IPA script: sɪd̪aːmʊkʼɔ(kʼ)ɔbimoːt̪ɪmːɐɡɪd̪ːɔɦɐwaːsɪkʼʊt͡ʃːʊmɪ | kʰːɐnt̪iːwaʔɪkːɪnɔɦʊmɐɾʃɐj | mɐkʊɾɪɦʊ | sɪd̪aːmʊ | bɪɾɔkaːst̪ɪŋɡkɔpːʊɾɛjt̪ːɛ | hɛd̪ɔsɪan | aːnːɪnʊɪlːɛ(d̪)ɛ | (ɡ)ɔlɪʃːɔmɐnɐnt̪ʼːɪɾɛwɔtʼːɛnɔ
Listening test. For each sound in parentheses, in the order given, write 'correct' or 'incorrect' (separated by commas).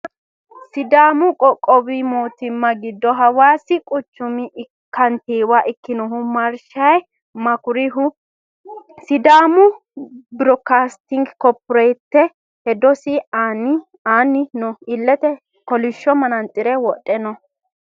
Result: correct, incorrect, incorrect